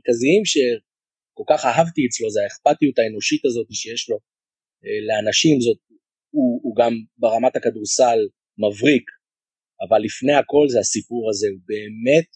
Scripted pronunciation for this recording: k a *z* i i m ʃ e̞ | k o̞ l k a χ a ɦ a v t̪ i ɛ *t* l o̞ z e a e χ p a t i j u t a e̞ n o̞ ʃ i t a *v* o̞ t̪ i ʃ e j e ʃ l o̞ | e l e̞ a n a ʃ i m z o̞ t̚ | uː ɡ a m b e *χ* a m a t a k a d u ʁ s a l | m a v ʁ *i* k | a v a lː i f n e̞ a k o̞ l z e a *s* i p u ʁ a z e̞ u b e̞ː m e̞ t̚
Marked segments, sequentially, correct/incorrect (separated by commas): correct, incorrect, incorrect, incorrect, correct, correct